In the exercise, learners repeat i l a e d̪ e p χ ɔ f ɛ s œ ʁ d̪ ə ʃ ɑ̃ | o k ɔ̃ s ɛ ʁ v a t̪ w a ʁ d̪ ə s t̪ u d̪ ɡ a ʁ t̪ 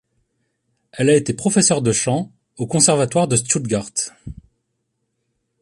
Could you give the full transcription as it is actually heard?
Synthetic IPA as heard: ɛ l a e t̪ e p χ ɔ f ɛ s œ ʁ d̪ ə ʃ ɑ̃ | o k ɔ̃ s ɛ ʁ v a t̪ w a ʁ d̪ ə s t̪ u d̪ ɡ a ʁ t̪